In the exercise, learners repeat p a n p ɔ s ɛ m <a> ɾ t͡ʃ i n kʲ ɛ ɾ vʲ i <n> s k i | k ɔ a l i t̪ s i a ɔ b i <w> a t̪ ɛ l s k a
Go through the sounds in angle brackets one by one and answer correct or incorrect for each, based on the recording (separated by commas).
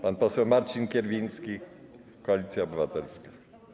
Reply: correct, correct, incorrect